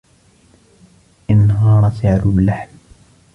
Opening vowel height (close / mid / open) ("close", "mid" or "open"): close